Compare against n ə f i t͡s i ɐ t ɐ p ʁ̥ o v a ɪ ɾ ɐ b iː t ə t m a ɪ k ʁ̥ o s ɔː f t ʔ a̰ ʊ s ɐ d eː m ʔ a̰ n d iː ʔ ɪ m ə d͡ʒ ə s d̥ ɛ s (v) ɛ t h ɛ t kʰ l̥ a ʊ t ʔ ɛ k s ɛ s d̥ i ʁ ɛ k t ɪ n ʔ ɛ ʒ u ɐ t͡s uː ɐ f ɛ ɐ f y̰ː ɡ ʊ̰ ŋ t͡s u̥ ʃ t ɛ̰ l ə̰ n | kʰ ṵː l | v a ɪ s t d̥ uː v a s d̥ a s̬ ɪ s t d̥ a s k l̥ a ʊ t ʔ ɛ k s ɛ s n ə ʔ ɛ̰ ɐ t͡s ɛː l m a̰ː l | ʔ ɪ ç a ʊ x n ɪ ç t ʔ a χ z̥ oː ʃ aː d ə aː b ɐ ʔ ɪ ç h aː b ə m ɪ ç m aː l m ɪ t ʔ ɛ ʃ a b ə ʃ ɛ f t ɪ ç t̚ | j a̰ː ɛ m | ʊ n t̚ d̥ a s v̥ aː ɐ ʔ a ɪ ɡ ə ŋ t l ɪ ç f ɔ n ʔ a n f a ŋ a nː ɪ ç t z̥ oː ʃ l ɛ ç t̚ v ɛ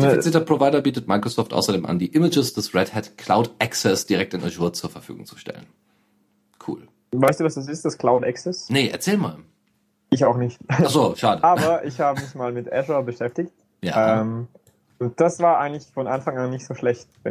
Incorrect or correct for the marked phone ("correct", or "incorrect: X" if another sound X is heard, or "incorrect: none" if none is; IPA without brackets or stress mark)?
incorrect: ʁ